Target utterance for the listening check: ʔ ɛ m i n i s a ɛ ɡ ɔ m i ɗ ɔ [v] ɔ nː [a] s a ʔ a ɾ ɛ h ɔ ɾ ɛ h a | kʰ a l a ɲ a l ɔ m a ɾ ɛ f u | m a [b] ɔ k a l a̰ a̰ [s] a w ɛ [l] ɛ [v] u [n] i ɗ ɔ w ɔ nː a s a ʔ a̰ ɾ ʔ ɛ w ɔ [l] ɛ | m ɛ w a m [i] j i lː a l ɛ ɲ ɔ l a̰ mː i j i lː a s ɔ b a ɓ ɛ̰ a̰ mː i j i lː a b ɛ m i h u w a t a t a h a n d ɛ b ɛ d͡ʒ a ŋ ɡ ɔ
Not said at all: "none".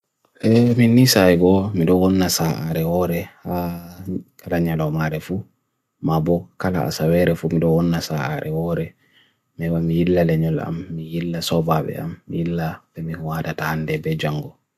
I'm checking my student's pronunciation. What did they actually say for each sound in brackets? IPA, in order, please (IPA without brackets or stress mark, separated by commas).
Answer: w, a, b, s, ɾ, f, m, ɾ, i